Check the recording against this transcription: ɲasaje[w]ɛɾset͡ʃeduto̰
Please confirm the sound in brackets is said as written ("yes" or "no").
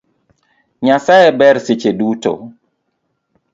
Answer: no